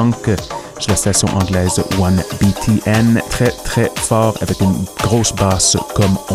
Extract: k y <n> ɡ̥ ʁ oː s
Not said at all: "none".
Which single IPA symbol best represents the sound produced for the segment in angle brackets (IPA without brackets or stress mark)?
n